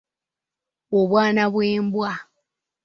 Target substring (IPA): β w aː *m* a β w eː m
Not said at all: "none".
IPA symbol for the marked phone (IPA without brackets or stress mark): n